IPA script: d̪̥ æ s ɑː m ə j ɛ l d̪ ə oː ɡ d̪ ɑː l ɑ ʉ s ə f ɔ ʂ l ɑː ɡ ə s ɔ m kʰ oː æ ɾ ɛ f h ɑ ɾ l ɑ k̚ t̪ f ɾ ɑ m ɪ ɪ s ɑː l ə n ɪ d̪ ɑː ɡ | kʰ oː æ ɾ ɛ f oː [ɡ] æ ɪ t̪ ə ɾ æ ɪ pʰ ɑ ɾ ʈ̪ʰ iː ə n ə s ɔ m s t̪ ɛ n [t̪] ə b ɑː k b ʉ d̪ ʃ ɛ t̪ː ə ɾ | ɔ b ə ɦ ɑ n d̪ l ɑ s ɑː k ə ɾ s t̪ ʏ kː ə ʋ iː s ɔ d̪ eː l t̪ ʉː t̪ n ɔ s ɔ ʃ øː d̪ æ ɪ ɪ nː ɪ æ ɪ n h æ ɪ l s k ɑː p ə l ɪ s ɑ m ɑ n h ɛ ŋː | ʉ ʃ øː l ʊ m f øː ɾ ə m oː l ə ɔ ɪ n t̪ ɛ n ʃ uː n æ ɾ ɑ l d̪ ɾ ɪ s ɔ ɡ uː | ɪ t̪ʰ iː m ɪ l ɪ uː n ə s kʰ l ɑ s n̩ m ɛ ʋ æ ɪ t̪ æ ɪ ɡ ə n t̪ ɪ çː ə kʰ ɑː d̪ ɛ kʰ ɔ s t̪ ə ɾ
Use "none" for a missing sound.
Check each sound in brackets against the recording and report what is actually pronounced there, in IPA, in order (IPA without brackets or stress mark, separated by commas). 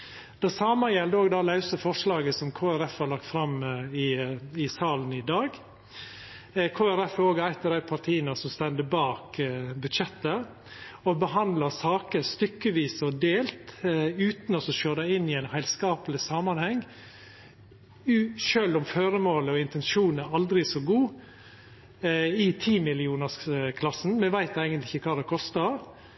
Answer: ɡ, d̪